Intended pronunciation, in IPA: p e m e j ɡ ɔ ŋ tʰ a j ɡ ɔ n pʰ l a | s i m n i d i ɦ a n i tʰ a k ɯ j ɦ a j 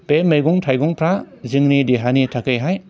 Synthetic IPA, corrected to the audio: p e m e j ɡ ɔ ŋ tʰ a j ɡ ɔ ŋ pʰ ɾ a | z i ŋ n i d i ɦ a n i tʰ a k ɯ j ɦ a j